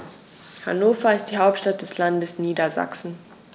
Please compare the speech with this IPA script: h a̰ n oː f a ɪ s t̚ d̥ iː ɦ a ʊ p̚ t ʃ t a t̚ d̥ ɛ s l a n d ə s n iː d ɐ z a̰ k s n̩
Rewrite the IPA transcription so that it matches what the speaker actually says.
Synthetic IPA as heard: h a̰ n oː f ɐ ɪ s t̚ d̥ iː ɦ a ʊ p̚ t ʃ t a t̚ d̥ ɛ s l a n d ə s n iː d ɐ z a̰ k s n̩